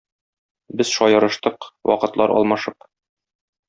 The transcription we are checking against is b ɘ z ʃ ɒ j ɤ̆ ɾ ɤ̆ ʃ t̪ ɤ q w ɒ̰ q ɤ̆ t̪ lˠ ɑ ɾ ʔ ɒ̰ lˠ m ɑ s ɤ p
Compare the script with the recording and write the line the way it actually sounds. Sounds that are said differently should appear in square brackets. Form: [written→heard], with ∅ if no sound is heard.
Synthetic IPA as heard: b ɘ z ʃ ɒ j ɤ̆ ɾ ɤ̆ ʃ t̪ ɤ q w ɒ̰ q ɤ̆ t̪ lˠ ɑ ɾ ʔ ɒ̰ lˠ m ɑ [s→ʃ] ɤ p